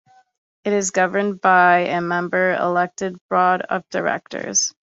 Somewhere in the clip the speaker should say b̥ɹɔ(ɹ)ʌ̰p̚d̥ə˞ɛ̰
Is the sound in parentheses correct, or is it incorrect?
incorrect: ɾ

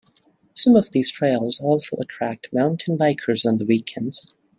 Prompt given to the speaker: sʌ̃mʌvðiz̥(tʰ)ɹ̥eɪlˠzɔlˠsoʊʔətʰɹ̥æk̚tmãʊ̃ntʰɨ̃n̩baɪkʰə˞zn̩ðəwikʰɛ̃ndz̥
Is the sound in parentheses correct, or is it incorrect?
correct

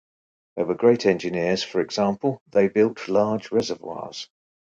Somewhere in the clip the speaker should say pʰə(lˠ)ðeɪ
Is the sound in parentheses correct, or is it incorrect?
correct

